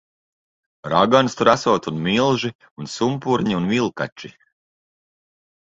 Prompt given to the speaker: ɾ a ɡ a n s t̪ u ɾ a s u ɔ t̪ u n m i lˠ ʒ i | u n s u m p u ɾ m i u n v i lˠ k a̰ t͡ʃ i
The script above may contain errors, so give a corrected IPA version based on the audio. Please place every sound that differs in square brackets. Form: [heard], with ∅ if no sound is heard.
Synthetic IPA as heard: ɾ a ɡ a n s t̪ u ɾ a s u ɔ t̪ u n m i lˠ ʒ i | u n s u m p u ɾ [ɲ] i u n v i lˠ k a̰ t͡ʃ i